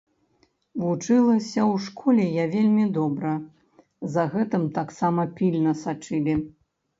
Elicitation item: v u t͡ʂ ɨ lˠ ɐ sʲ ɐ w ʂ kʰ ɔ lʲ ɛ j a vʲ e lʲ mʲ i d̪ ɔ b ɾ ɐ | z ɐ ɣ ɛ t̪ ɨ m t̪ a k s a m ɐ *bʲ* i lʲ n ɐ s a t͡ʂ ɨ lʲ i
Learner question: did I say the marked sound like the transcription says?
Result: no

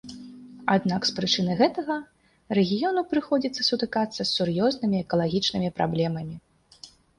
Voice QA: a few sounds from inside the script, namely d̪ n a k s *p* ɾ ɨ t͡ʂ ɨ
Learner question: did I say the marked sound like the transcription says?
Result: yes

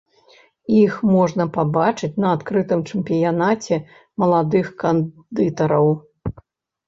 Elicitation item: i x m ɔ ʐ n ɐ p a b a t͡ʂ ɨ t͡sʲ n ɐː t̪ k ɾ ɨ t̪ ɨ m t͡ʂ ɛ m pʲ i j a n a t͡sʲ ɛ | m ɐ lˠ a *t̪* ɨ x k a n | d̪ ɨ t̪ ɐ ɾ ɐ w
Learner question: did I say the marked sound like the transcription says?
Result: no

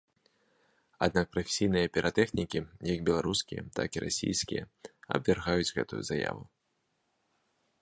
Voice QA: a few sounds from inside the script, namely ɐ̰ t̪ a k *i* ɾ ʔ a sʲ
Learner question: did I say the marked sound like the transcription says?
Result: yes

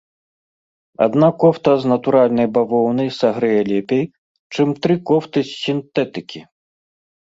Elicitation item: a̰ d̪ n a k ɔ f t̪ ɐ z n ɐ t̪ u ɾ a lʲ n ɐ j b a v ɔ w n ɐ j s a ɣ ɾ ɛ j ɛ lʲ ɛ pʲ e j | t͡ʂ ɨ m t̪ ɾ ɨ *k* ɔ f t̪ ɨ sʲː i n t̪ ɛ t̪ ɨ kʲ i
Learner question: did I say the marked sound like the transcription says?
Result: yes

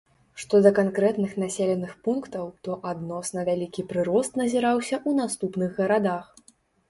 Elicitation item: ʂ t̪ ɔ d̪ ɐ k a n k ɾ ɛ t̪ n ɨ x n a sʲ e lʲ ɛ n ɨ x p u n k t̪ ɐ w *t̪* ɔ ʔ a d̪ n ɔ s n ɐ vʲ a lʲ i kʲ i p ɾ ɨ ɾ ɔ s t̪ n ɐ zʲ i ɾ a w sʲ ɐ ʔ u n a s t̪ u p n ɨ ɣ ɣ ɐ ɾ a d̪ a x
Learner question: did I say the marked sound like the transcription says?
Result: yes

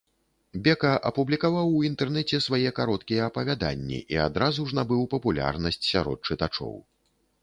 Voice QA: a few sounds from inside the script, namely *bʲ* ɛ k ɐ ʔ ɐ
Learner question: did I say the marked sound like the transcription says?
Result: yes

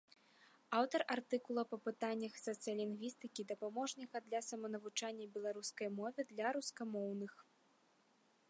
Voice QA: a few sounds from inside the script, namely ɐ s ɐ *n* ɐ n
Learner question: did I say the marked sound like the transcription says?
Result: no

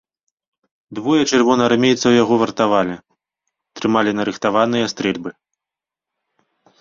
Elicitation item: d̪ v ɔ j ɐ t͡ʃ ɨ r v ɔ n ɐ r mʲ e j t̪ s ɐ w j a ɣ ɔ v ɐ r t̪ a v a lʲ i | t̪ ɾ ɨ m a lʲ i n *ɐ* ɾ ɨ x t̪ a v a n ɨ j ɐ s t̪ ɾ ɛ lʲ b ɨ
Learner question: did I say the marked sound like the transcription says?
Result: yes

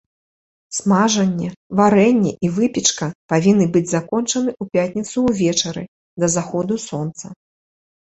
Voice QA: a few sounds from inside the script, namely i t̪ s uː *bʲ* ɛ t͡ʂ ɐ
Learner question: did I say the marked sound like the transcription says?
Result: no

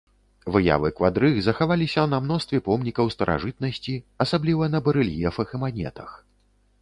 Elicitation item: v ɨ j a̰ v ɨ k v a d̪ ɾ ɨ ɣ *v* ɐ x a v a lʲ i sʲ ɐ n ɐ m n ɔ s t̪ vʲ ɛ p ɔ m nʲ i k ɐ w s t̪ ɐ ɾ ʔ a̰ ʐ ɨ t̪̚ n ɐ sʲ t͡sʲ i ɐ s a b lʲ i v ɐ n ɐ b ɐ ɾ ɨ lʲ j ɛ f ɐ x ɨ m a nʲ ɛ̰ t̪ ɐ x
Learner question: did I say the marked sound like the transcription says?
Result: no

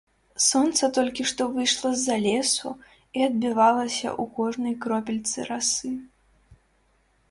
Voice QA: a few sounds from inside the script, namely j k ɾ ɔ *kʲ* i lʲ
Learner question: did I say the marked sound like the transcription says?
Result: no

